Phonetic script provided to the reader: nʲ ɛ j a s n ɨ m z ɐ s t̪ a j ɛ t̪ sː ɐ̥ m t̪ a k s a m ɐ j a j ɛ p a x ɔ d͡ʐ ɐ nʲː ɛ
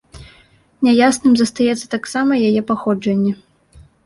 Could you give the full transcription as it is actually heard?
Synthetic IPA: nʲ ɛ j a s n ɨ m z ɐ s t̪ a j ɛ t̪ sː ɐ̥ t̪ a k s a m ɐ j a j ɛ p a x ɔ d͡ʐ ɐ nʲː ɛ